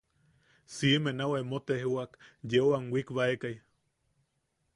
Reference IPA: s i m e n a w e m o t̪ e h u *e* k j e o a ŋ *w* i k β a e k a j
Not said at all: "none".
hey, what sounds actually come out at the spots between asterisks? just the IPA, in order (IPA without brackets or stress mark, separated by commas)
a, w